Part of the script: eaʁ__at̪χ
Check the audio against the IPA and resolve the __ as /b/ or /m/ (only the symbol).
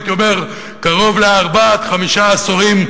b